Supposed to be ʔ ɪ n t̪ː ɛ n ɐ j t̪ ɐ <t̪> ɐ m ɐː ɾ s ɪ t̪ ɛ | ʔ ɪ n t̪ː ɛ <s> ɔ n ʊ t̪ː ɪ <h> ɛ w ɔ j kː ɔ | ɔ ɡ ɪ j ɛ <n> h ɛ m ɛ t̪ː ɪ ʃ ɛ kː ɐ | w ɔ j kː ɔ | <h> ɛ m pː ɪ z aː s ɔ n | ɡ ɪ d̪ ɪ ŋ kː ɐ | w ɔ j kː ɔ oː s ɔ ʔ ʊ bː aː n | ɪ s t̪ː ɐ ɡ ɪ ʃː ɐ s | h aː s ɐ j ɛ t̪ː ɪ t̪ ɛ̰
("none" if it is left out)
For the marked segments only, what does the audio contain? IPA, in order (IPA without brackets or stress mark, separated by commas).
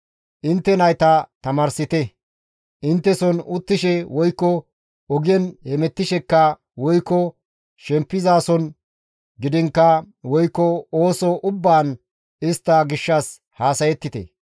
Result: t̪, s, ʃ, n, ʃ